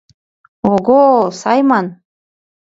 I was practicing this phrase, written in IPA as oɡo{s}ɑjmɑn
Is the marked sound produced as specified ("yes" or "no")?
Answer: yes